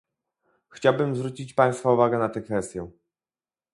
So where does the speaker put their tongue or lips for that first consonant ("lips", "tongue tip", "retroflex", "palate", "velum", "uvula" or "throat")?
velum